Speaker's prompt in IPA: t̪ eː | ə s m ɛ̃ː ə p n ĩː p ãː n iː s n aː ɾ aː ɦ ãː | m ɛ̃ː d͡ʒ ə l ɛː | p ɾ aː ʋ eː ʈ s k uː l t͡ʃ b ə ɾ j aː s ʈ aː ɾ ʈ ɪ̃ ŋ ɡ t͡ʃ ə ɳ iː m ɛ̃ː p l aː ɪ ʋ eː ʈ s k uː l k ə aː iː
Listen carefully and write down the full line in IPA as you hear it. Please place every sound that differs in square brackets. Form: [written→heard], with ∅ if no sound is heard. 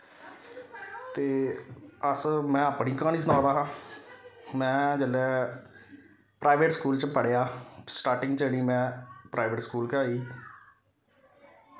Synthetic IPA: t̪ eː | ə s m ɛ̃ː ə p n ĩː [p→k] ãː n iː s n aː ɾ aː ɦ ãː | m ɛ̃ː d͡ʒ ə l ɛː | p ɾ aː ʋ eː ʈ s k uː l t͡ʃ [b→p] ə [ɾ→ɽ] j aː s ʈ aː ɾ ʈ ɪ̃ ŋ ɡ t͡ʃ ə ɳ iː m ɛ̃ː p [l→ɾ] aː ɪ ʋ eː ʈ s k uː l k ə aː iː

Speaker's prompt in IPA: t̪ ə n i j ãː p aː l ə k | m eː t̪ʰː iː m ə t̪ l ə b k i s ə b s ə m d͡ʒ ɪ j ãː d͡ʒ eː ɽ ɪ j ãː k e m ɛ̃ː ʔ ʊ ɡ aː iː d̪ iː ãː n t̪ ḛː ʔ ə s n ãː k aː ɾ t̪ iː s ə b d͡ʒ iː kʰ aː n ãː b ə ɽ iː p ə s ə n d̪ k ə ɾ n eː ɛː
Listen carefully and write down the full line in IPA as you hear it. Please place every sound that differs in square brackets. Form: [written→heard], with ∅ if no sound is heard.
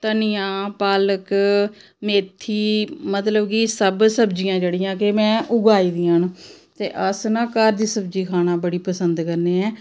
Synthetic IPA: t̪ ə n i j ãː p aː l ə k | m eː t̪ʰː iː m ə t̪ l ə b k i s ə b s ə [m→b] d͡ʒ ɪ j ãː d͡ʒ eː ɽ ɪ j ãː k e m ɛ̃ː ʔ ʊ ɡ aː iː d̪ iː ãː n t̪ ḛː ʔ ə s n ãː k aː ɾ [t̪→d̪] iː s ə b d͡ʒ iː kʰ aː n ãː b ə ɽ iː p ə s ə n d̪ k ə ɾ n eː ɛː

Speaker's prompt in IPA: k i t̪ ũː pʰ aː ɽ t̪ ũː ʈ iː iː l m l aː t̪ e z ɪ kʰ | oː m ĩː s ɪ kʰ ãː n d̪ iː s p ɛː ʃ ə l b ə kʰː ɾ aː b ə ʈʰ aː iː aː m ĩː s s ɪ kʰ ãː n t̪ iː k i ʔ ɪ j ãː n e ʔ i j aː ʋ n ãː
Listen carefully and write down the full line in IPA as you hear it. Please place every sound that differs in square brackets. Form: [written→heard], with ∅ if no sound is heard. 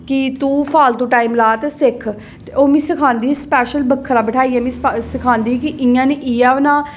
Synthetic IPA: k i t̪ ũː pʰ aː [ɽ→l] t̪ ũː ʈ [iː→aː] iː [l→∅] m l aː t̪ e [z→s] ɪ kʰ | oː m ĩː s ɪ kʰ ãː n d̪ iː s p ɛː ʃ ə l b ə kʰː ɾ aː b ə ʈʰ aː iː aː m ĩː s s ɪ kʰ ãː n [t̪→d̪] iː k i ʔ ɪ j ãː n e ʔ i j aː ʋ n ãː

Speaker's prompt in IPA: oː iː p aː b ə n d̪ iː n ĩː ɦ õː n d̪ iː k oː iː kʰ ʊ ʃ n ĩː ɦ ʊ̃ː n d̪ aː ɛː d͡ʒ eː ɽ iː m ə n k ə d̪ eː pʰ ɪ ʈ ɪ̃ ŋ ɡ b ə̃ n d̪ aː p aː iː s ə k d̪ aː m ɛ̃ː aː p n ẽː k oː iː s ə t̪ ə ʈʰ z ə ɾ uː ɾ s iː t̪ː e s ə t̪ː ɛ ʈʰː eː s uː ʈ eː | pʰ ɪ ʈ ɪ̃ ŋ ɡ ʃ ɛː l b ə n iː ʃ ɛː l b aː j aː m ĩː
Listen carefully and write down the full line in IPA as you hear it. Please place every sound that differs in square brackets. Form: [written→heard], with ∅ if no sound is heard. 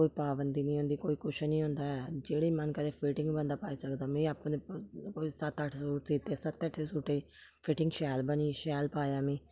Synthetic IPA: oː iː p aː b ə n d̪ iː n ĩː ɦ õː n d̪ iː k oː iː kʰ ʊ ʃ n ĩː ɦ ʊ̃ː n d̪ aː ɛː d͡ʒ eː ɽ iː m ə n k ə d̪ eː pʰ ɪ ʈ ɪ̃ ŋ ɡ b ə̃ n d̪ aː p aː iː s ə k d̪ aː m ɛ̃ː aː p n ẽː k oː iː s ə t̪ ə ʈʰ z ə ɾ uː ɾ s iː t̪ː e s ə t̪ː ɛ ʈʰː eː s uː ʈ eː | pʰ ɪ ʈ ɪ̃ ŋ ɡ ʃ ɛː l b ə n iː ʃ ɛː l [b→p] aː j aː m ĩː

